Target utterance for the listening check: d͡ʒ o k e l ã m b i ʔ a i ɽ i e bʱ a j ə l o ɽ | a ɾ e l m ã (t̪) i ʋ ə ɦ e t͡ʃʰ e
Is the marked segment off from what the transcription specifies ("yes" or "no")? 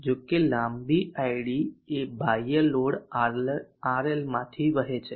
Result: yes